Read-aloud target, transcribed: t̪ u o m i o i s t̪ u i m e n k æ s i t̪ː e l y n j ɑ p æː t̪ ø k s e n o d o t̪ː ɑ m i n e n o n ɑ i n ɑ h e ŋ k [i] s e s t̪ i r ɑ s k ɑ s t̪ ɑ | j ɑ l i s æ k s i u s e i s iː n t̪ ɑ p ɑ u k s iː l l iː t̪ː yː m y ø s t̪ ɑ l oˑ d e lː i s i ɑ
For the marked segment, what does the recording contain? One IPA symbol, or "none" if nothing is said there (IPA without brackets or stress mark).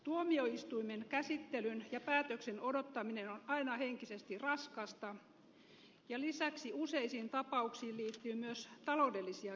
i